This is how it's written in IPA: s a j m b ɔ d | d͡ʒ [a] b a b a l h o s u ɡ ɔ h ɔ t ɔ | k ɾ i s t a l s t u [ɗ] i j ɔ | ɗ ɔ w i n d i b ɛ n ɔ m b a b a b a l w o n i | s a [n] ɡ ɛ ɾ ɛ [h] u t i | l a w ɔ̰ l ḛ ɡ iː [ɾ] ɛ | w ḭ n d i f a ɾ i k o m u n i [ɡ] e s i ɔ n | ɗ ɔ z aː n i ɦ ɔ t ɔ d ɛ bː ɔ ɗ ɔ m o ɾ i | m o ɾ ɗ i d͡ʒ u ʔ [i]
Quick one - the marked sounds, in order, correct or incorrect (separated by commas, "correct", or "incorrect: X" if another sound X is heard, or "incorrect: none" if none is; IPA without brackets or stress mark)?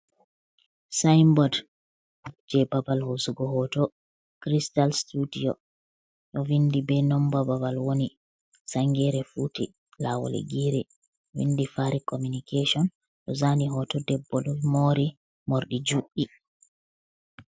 incorrect: ɛ, incorrect: d, incorrect: ŋ, incorrect: f, correct, incorrect: k, correct